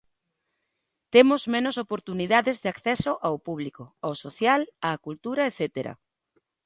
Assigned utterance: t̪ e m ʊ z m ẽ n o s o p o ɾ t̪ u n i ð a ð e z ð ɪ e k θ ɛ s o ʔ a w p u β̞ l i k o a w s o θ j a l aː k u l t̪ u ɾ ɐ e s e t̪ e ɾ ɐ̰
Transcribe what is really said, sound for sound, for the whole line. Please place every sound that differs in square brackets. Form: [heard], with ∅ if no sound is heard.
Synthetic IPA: t̪ e m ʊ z m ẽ n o s o p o ɾ t̪ u n i ð a ð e z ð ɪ [a] k θ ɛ s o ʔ a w p u β̞ l i k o a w s o θ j a l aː k u l t̪ u ɾ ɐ e [θ] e t̪ e ɾ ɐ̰